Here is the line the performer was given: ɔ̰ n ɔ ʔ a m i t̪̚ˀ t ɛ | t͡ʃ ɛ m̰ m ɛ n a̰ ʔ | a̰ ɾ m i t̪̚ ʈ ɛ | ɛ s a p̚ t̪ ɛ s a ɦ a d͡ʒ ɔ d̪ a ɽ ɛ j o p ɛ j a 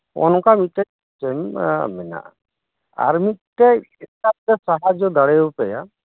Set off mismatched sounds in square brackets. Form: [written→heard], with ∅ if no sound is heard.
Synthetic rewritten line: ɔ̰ n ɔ [ʔ→k] a m i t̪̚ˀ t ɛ | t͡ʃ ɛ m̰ m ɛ n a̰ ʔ | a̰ ɾ m i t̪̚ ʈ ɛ | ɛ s a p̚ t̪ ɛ s a ɦ a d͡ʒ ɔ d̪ a ɽ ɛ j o p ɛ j a